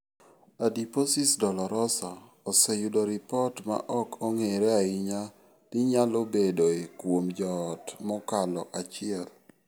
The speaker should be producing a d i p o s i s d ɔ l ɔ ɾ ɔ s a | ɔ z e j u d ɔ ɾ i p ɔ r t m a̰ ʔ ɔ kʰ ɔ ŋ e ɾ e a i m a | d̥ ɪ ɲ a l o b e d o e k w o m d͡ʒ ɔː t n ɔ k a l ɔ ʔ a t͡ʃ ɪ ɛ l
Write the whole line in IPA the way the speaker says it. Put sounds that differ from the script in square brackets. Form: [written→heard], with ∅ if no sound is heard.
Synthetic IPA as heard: a d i p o s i s d ɔ l ɔ ɾ ɔ s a | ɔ [z→s] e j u d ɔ ɾ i p ɔ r t m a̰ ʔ ɔ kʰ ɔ ŋ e ɾ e a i [m→ɲ] a | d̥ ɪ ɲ a l o b e d o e k w o m d͡ʒ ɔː t [n→m] ɔ k a l ɔ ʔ a t͡ʃ ɪ ɛ l